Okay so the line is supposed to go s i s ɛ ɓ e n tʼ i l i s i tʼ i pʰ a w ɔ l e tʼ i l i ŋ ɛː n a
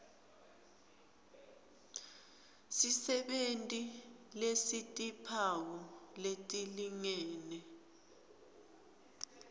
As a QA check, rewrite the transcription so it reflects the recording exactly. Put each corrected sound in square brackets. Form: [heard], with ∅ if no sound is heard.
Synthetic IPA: s i s ɛ ɓ e n tʼ i l [e] s i tʼ i pʰ a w ɔ l e tʼ i l i ŋ ɛː n [ɛ]

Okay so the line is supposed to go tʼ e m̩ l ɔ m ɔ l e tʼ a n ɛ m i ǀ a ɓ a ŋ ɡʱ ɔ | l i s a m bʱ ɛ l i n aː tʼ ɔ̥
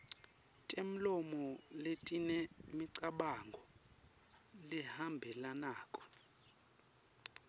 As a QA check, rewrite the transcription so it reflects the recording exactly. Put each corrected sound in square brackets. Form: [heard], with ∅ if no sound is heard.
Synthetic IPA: tʼ e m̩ l ɔ m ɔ l e tʼ [i] n ɛ m i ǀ a ɓ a ŋ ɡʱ ɔ | l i [h] a m bʱ ɛ l [a] n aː [kʼ] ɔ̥

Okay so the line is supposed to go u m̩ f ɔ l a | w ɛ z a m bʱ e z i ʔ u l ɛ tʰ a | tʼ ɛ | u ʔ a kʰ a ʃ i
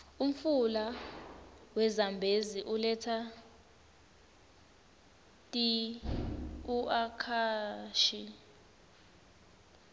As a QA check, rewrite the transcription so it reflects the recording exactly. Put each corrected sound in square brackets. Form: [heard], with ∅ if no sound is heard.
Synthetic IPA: u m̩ f [u] l a | w ɛ z a m bʱ e z i ʔ u l ɛ tʰ a | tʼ [i] | u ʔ a kʰ a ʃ i

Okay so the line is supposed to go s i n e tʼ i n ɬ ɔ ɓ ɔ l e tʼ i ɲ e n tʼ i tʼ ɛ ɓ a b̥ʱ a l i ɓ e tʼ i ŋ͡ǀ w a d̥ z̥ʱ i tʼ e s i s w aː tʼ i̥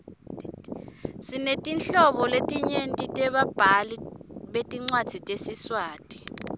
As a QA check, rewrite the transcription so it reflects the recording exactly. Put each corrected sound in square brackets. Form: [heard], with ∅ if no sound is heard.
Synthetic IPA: s i n e tʼ i n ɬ ɔ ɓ ɔ l e tʼ i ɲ e n tʼ i tʼ ɛ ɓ a b̥ʱ a l i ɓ e tʼ i ŋ͡ǀ w a d̥ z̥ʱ i tʼ e s i s w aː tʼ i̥

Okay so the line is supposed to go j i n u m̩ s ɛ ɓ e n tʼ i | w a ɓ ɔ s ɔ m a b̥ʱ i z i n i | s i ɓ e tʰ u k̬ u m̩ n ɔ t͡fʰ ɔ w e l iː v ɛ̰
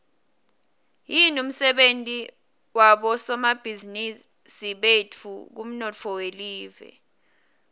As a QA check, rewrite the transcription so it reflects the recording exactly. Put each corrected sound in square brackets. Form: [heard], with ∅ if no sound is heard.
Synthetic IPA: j i n u m̩ s ɛ ɓ e n tʼ i | w a ɓ ɔ s ɔ m a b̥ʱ i z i n i | s i ɓ e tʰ u k̬ u m̩ n ɔ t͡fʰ ɔ w e l iː v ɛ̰

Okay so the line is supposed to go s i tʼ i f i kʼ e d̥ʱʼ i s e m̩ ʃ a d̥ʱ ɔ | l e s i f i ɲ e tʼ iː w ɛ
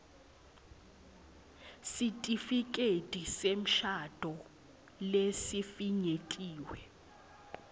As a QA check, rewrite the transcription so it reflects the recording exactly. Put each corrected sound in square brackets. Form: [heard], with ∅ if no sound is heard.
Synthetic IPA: s i tʼ i f i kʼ e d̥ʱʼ i s e m̩ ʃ a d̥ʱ ɔ | l e s i f i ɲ e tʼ iː w ɛ

